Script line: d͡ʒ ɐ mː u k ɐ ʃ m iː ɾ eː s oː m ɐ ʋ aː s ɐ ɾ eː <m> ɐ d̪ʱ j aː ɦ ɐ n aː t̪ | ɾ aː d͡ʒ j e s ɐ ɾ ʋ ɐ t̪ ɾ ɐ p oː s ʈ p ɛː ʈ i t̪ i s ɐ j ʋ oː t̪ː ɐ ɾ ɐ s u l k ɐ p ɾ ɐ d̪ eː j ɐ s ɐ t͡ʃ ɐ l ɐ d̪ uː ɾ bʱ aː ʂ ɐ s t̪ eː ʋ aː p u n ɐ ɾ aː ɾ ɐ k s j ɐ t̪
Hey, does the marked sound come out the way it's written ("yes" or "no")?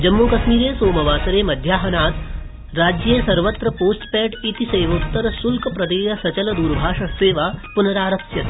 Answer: yes